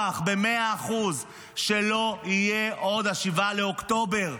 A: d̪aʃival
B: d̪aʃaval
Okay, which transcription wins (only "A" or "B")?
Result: A